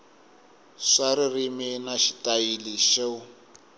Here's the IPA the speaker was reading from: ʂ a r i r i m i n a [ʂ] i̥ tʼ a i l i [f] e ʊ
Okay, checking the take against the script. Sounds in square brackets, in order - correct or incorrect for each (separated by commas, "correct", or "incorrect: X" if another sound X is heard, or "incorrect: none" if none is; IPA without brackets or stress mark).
incorrect: ʃ, incorrect: ʃ